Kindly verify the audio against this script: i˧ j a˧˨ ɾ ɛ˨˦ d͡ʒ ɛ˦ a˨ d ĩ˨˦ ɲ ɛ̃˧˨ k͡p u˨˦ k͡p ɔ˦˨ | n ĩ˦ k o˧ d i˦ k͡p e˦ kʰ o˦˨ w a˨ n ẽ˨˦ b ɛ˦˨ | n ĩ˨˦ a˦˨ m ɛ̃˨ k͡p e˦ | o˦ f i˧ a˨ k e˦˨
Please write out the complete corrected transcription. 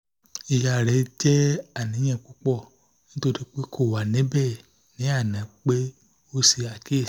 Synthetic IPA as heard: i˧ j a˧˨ ɾ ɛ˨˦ d͡ʒ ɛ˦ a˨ n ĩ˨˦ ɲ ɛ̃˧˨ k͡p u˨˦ k͡p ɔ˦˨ | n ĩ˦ t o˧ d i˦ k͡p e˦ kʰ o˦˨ w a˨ n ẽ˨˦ b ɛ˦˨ | n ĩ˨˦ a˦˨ n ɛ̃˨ k͡p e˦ | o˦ s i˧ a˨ k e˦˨